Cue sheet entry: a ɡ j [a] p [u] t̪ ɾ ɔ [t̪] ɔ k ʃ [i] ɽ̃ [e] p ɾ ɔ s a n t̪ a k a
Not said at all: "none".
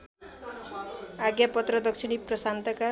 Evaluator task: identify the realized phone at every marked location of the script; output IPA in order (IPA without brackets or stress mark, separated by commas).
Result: a, ɔ, d̪, i, i